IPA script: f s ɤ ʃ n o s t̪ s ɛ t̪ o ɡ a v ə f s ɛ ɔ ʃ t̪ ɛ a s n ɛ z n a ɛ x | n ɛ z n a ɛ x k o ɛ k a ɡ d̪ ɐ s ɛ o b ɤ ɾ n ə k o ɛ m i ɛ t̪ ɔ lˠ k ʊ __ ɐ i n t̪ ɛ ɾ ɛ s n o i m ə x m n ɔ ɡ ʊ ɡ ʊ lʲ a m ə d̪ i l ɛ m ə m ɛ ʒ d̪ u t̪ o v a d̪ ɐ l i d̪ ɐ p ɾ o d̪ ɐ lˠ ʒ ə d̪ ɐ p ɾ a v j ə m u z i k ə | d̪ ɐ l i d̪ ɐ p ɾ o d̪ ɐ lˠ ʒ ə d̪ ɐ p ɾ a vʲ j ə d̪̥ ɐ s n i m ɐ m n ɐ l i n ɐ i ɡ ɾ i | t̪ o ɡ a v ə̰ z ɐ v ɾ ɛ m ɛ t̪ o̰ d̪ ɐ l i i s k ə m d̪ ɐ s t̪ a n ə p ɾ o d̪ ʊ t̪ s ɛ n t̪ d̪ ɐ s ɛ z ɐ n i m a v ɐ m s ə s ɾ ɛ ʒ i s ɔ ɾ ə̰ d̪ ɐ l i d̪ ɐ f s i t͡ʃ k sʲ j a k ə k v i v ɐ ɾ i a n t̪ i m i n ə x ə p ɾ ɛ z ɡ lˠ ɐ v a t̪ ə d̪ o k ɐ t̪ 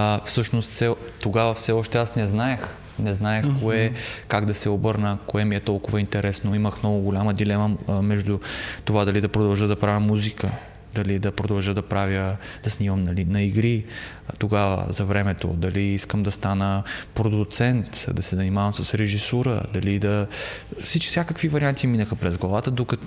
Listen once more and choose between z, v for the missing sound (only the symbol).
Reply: v